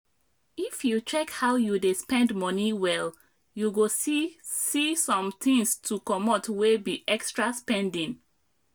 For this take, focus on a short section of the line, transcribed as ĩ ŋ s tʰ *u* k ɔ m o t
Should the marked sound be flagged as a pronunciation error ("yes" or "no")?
no